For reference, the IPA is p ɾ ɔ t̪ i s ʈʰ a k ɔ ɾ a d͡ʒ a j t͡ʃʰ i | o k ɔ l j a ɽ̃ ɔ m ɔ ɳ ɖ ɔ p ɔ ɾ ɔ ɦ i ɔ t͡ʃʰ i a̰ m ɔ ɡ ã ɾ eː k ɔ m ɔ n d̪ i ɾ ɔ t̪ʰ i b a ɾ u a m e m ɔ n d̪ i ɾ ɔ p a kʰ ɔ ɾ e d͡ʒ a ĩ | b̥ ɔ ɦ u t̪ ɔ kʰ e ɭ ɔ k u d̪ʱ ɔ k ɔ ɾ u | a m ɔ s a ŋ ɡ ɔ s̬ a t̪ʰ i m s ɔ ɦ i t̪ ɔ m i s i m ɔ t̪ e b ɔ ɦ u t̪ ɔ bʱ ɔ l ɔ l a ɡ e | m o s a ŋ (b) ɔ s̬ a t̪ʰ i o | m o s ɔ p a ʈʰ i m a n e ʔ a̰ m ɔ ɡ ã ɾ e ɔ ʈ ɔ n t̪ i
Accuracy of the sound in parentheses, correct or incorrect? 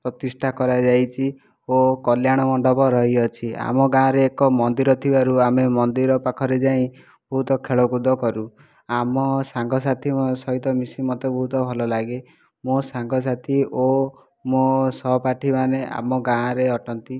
incorrect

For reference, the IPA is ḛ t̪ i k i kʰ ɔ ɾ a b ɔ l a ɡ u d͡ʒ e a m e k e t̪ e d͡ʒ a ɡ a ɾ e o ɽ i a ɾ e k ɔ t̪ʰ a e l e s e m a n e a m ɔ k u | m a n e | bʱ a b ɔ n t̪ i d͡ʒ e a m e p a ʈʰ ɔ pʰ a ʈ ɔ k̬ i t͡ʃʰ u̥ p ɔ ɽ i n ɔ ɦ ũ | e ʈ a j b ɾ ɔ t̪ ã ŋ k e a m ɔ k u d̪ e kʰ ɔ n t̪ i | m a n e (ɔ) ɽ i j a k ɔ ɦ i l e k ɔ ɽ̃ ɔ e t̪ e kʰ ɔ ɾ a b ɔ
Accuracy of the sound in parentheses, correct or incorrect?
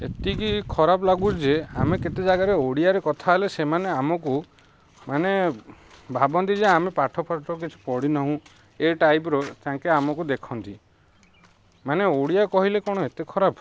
incorrect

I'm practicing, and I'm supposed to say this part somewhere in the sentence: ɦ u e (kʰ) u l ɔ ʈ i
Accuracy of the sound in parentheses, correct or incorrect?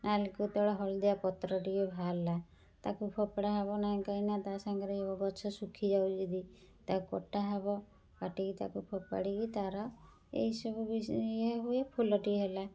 incorrect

